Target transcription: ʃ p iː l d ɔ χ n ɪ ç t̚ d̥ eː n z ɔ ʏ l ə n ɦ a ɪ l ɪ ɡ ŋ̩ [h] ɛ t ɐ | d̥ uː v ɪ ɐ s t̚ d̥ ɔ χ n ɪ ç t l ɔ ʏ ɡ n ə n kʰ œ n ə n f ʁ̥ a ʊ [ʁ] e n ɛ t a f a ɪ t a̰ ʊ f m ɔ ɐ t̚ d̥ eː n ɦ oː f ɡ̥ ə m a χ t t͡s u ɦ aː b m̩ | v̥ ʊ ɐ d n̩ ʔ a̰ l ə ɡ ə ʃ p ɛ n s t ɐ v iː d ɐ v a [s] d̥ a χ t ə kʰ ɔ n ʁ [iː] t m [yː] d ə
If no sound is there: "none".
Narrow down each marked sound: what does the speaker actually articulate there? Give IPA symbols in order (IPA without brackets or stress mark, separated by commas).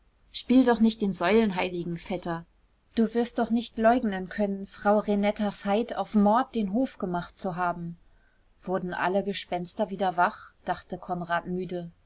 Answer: f, ʁ, χ, aː, yː